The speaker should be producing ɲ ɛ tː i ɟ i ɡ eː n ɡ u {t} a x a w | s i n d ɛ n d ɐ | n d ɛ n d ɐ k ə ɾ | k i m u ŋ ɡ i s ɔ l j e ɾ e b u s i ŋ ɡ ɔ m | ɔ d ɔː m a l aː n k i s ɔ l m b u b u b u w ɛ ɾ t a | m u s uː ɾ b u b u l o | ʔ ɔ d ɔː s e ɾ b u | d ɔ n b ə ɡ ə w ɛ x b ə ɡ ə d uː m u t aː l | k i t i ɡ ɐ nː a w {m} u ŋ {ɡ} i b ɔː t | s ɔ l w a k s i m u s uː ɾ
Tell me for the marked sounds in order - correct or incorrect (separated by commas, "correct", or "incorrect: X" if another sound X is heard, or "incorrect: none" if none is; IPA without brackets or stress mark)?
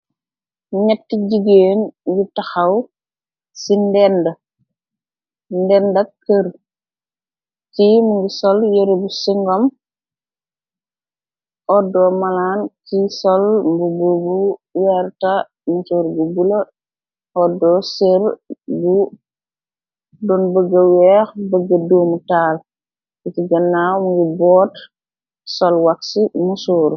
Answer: correct, correct, correct